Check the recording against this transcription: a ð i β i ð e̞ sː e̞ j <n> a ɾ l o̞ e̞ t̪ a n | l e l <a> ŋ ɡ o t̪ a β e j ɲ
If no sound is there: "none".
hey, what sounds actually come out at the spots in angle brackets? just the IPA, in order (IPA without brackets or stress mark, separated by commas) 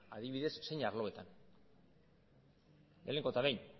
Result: ɲ, e